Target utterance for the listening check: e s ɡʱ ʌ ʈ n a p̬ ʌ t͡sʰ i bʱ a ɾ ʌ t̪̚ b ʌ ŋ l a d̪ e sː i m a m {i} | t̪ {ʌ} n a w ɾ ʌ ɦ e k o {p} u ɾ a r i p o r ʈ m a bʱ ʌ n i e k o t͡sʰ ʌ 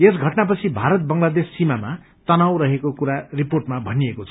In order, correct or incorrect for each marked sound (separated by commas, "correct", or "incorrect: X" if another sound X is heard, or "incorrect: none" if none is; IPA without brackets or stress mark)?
incorrect: a, correct, incorrect: k